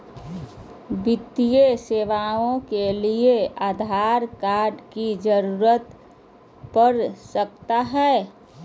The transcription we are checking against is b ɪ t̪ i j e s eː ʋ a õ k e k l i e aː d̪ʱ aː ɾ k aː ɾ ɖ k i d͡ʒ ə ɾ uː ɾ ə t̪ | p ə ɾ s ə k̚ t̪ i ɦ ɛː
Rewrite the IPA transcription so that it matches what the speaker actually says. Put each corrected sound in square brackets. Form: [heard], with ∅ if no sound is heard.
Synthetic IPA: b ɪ t̪ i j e s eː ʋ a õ k e [∅] l i e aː d̪ʱ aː ɾ k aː ɾ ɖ k i d͡ʒ ə ɾ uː ɾ ə t̪ | p ə ɾ s ə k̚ t̪ [a] ɦ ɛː